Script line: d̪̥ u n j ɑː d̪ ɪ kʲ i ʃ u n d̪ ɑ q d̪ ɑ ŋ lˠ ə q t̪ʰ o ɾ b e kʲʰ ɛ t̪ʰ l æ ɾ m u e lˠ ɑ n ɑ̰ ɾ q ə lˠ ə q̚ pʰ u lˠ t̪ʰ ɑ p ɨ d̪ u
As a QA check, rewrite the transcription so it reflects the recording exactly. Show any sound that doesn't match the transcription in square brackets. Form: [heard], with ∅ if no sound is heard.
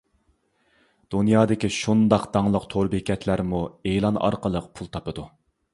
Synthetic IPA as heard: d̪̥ u n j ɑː d̪ ɪ kʲ i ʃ u n d̪ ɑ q d̪ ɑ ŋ lˠ ə q t̪ʰ o ɾ b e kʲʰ ɛ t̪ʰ l æ ɾ m u e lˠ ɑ n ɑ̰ ɾ q ə lˠ ə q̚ pʰ u lˠ t̪ʰ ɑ p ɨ d̪ u